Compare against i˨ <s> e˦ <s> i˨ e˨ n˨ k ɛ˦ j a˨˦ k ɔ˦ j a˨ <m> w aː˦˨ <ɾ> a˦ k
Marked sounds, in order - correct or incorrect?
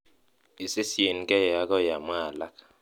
correct, correct, correct, incorrect

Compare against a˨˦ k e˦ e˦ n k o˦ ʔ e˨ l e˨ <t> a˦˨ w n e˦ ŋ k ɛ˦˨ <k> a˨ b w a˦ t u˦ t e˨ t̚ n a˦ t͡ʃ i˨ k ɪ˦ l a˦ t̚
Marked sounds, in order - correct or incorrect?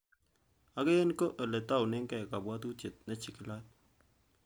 correct, correct

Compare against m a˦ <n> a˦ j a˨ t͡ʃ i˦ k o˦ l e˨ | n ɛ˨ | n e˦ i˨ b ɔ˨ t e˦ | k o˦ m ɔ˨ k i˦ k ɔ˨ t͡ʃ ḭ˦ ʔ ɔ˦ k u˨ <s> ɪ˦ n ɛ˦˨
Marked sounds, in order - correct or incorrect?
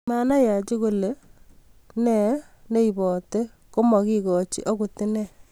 correct, incorrect

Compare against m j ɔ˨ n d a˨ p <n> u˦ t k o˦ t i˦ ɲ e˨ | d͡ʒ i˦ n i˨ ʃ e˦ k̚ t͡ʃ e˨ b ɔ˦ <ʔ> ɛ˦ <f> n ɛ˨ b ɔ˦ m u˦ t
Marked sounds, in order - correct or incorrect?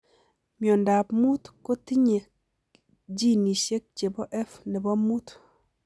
incorrect, correct, correct

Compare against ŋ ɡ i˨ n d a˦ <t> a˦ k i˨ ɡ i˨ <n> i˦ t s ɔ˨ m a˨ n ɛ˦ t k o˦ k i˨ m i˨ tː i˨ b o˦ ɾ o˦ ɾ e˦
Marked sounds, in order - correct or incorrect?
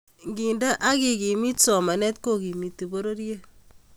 incorrect, incorrect

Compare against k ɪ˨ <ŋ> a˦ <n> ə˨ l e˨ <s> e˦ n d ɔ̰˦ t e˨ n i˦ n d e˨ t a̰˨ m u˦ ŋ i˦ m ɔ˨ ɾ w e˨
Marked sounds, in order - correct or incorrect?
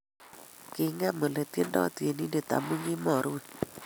correct, incorrect, incorrect

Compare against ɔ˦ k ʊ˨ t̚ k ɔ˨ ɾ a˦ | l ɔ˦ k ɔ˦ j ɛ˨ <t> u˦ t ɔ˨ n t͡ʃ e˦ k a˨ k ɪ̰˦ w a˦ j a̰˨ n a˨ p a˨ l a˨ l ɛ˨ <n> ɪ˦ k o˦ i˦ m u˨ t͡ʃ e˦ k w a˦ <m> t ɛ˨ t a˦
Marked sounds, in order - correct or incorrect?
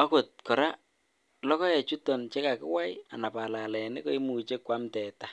incorrect, correct, correct

